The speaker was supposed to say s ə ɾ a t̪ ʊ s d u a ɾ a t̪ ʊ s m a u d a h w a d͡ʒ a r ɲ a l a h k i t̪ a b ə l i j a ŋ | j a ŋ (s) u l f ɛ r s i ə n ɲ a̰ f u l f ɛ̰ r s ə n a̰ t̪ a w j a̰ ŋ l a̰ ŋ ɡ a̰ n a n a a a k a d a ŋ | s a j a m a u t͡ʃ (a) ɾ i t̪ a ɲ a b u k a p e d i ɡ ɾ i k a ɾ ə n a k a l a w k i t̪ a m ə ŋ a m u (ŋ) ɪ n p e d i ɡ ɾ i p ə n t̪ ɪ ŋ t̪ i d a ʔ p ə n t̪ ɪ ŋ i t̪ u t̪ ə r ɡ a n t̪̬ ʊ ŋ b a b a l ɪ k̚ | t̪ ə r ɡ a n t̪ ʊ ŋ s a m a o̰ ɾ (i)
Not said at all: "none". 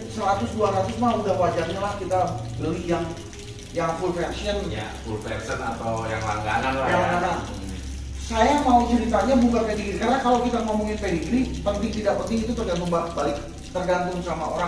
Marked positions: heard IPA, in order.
f, ə, ŋ, a

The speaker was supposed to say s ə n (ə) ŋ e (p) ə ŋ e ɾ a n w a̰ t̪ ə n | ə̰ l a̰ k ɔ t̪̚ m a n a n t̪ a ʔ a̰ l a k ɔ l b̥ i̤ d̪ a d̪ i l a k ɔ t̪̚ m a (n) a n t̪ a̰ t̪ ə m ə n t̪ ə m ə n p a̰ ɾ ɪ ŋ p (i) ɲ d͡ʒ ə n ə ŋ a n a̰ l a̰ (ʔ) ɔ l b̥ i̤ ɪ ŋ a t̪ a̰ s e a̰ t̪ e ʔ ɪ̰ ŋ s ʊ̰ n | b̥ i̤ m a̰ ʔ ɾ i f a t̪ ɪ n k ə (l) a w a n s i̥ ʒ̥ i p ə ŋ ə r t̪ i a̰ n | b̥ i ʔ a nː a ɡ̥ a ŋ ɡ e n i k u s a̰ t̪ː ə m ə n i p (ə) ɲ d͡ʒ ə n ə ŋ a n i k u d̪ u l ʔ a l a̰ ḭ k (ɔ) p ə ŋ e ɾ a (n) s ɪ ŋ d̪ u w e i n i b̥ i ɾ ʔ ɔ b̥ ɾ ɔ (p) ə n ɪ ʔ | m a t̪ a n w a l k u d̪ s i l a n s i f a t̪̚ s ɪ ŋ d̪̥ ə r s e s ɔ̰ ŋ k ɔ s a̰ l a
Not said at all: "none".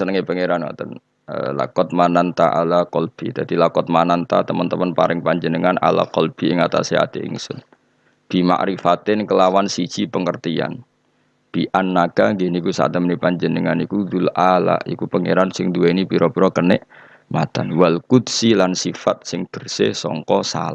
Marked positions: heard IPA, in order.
ə, p, n, a, k, l, a, u, n, k

